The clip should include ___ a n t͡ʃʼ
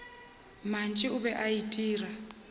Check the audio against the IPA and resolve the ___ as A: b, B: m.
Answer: B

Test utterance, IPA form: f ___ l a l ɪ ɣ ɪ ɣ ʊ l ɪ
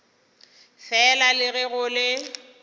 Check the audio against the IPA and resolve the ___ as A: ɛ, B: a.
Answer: A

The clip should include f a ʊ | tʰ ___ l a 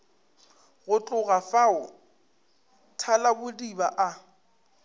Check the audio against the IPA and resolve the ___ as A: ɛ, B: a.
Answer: B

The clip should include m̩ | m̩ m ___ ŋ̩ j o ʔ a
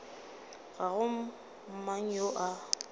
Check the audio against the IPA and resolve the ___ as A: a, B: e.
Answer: A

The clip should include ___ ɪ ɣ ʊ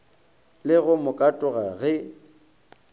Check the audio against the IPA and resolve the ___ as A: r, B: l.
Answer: B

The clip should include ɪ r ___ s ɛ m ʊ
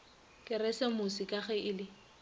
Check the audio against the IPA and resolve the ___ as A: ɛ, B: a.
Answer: A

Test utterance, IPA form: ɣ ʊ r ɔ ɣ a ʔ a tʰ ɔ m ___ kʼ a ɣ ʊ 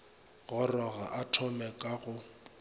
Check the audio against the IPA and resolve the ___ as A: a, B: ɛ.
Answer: B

